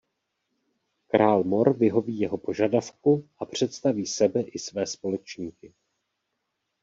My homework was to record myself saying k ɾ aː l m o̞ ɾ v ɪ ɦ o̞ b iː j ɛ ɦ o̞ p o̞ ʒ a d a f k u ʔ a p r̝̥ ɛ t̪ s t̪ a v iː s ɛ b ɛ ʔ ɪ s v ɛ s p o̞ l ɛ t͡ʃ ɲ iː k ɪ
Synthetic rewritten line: k ɾ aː l m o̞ ɾ v ɪ ɦ o̞ v iː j ɛ ɦ o̞ p o̞ ʒ a d a f k u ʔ a p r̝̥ ɛ t̪ s t̪ a v iː s ɛ b ɛ ʔ ɪ s v ɛː s p o̞ l ɛ t͡ʃ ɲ iː k ɪ